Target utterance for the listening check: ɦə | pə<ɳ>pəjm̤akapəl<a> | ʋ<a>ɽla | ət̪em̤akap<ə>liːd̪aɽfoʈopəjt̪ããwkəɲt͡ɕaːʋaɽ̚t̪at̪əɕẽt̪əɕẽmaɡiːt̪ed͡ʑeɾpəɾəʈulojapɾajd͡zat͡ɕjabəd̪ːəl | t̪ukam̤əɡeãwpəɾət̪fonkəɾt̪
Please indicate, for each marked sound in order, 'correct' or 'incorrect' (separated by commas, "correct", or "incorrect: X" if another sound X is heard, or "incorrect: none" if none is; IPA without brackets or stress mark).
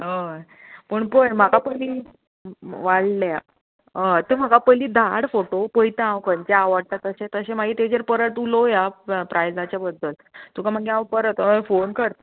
correct, incorrect: i, correct, correct